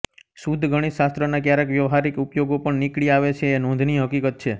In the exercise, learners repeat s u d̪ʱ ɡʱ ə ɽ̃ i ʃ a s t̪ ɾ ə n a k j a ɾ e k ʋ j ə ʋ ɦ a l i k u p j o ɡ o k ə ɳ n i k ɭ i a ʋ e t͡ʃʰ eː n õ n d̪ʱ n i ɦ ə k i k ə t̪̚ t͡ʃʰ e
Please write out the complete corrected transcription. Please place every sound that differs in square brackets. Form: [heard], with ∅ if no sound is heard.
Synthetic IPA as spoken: s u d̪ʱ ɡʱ ə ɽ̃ i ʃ a s t̪ ɾ ə n a k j a ɾ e k ʋ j ə ʋ ɦ a [ɾ] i k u p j o ɡ o [p] ə ɳ n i k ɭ i a ʋ e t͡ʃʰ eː n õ n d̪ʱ n i ɦ ə k i k ə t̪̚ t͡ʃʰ e